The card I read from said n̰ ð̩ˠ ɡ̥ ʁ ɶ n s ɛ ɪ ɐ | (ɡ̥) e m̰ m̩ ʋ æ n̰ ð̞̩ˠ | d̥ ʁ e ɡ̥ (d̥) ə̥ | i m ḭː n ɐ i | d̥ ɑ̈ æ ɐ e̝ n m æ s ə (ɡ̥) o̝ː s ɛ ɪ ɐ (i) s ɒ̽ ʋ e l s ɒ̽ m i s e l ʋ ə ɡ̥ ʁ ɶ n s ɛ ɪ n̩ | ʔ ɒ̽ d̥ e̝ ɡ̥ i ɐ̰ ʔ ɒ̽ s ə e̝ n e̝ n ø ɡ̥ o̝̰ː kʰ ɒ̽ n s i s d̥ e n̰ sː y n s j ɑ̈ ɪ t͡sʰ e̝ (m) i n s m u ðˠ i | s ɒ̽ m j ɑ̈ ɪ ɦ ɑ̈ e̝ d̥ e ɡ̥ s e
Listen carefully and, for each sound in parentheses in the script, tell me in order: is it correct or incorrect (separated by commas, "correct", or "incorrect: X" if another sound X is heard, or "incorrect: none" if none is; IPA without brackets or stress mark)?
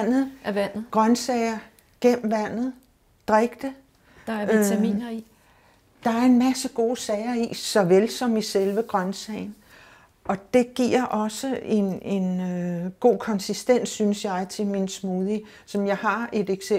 correct, correct, correct, correct, correct